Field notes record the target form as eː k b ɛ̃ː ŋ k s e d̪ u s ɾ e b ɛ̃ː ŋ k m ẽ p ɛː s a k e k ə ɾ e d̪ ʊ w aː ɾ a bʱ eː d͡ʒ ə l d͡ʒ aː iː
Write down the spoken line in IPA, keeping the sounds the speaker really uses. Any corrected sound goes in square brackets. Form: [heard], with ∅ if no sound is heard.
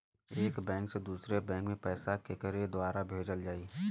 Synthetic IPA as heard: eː k b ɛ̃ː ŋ k s e d̪ [uː] s ɾ e b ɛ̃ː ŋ k m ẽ p ɛː s a k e k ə ɾ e d̪ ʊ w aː ɾ a bʱ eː d͡ʒ ə l d͡ʒ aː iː